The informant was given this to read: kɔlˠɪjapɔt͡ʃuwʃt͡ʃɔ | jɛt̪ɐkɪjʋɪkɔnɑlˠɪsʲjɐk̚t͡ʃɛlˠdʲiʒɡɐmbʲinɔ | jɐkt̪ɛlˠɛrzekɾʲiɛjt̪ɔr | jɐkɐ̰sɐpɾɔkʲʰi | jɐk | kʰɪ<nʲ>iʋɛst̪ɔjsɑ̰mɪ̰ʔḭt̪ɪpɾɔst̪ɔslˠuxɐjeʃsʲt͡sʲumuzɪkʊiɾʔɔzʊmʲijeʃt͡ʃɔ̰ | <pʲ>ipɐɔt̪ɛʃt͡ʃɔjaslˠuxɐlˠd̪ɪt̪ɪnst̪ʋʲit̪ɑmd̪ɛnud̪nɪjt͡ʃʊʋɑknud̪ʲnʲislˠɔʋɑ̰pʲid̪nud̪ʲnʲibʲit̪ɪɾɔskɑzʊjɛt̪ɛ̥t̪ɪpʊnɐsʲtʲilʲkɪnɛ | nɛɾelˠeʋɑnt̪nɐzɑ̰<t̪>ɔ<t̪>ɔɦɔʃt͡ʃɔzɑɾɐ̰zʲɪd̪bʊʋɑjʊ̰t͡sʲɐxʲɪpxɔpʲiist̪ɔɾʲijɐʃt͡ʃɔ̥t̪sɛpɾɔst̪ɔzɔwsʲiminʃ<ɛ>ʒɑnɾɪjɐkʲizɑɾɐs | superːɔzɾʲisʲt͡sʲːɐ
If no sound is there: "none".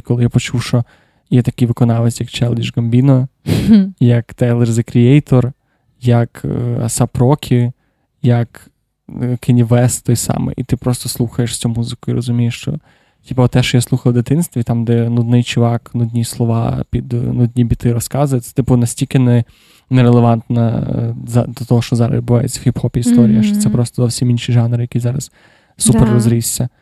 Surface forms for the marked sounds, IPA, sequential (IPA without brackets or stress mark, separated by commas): nʲ, tʲ, d̪, t̪, i